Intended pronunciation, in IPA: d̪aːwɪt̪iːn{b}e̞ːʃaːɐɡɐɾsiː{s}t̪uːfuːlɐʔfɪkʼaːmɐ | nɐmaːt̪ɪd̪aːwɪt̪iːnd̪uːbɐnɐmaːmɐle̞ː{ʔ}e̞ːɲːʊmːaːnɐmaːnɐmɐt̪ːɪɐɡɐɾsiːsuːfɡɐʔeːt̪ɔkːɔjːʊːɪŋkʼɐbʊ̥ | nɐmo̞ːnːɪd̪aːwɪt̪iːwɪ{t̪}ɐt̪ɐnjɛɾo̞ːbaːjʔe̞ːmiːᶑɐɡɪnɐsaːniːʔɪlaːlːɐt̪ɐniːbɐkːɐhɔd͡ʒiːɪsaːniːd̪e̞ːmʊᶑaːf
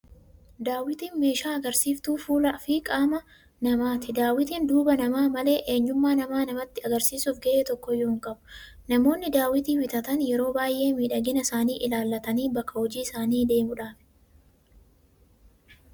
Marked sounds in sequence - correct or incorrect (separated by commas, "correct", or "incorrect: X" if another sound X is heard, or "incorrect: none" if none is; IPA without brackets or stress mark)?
incorrect: m, incorrect: f, correct, correct